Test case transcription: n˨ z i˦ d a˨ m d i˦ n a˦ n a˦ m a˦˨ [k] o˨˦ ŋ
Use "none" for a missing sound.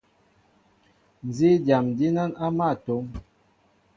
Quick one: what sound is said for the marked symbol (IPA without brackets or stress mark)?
t